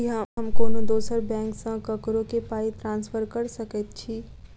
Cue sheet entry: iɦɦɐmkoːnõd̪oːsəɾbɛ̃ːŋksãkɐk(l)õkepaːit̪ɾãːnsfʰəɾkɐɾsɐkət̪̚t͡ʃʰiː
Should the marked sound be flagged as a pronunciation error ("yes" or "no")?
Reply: yes